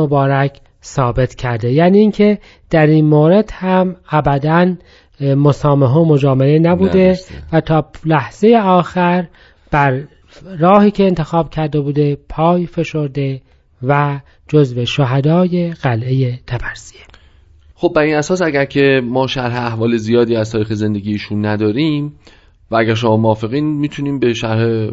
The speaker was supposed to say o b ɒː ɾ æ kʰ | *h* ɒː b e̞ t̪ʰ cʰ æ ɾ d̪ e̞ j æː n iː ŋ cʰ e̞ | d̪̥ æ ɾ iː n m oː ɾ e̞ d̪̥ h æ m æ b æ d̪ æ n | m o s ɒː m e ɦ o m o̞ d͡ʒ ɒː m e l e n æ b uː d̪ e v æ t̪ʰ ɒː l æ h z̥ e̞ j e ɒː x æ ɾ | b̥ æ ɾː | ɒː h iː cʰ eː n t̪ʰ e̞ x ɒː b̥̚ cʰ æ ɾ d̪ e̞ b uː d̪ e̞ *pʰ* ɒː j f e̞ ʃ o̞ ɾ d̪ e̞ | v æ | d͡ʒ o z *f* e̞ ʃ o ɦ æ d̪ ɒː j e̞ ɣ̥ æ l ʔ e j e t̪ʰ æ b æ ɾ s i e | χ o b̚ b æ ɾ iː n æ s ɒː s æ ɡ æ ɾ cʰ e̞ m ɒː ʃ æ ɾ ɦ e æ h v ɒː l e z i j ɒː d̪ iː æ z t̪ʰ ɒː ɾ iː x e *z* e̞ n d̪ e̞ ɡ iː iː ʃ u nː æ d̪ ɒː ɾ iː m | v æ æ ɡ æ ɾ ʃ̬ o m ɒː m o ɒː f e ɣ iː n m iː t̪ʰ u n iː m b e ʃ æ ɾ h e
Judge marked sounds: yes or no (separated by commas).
no, yes, no, yes